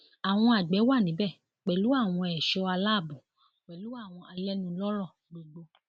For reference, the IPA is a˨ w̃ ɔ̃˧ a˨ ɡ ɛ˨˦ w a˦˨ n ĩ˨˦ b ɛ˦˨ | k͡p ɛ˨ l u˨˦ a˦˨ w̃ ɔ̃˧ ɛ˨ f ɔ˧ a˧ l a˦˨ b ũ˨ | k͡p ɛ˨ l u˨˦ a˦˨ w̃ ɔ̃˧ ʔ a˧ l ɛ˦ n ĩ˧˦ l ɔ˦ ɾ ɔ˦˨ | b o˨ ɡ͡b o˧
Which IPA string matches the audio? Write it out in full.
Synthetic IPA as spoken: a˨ w̃ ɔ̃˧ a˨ ɡ͡b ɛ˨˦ w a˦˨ n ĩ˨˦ b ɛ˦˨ | k͡p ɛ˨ l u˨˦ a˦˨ w̃ ɔ̃˧ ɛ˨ ʃ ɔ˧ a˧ l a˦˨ b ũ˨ | k͡p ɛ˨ l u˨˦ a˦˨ w̃ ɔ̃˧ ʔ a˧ l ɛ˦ n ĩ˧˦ l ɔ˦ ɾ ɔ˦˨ | ɡ͡b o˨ ɡ͡b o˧